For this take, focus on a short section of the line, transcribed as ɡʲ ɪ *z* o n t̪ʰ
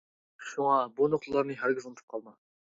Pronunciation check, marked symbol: correct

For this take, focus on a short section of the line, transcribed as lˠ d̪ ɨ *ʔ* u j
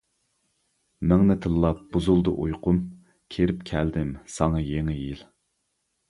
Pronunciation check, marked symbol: correct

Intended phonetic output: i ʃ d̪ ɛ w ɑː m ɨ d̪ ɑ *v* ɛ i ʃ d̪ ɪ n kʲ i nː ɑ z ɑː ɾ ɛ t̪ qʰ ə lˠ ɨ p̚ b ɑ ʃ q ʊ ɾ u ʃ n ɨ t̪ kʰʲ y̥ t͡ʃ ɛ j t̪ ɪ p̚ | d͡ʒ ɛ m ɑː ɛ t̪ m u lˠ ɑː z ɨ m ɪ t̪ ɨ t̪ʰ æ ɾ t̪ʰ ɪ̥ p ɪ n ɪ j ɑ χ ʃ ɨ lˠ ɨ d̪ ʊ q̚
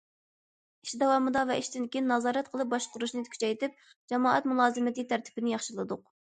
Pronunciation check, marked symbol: correct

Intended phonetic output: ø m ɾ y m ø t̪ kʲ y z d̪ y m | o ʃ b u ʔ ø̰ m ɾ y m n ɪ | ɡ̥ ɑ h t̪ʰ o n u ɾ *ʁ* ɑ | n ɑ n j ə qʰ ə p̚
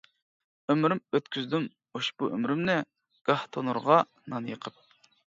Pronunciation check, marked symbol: correct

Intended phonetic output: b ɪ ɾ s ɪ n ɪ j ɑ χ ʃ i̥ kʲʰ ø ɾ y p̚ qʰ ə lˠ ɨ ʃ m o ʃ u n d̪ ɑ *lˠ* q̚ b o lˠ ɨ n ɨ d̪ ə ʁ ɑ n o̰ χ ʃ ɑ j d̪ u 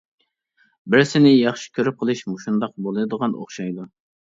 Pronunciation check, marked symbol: incorrect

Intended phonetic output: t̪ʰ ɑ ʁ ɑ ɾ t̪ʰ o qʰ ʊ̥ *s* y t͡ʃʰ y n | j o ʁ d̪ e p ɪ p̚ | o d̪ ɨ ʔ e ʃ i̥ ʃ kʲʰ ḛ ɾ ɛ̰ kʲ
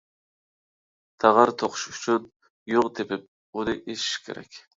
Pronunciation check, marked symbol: incorrect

